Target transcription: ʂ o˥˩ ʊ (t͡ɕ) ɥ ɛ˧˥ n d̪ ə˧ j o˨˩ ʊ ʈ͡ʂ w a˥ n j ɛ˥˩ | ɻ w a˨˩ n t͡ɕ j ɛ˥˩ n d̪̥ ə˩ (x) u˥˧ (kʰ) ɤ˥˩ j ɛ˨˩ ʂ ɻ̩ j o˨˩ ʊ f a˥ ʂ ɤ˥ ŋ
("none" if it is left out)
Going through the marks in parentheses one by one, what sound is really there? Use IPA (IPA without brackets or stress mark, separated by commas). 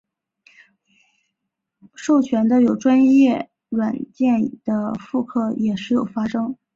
t͡ɕʰ, f, kʰ